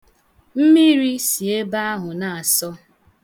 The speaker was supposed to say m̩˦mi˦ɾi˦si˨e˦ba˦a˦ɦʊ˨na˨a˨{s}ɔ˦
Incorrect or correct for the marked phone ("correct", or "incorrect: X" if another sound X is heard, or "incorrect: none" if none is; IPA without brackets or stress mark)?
correct